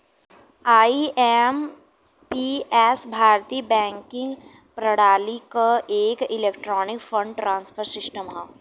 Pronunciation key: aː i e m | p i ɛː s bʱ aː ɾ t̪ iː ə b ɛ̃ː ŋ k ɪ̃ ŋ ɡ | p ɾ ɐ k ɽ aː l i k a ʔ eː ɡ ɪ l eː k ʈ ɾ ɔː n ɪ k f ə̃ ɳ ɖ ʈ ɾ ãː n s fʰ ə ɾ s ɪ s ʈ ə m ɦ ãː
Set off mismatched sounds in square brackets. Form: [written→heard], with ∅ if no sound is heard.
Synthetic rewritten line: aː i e m | p i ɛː s bʱ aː ɾ t̪ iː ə b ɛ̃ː ŋ k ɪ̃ ŋ ɡ | p ɾ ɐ [k→∅] ɽ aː l i k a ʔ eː [ɡ→k] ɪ l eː k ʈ ɾ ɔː n ɪ k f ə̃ ɳ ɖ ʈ ɾ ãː n s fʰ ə ɾ s ɪ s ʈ ə m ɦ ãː